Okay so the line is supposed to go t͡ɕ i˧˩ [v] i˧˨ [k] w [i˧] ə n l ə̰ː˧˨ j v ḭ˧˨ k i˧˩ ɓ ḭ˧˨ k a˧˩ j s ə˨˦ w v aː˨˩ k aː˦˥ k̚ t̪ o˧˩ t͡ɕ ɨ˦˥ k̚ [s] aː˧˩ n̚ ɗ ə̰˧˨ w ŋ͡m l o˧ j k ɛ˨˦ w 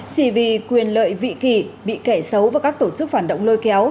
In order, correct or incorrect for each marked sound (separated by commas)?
correct, correct, incorrect, incorrect